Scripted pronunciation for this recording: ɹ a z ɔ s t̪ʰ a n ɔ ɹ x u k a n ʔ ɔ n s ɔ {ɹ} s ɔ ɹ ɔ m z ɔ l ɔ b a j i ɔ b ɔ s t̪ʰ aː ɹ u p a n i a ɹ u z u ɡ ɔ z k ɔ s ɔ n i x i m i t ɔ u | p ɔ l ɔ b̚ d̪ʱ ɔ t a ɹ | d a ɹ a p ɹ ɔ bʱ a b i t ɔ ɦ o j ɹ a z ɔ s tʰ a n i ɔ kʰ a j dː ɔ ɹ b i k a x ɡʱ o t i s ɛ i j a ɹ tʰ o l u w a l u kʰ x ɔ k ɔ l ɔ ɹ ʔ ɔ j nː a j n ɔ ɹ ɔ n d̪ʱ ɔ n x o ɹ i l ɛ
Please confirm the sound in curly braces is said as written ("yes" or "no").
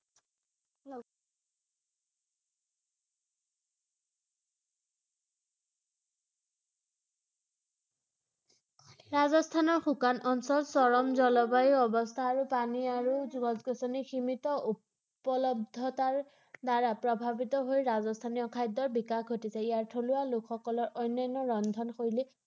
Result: no